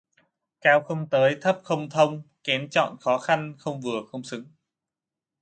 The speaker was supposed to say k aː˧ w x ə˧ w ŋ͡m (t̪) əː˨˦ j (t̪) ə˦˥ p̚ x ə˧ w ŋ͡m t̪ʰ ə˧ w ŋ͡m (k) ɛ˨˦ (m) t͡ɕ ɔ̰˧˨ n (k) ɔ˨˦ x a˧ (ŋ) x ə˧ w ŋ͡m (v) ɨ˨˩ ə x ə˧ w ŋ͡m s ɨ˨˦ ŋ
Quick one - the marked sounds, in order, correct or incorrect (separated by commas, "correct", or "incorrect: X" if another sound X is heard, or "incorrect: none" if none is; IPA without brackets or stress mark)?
correct, incorrect: t̪ʰ, correct, incorrect: n, incorrect: x, incorrect: n, correct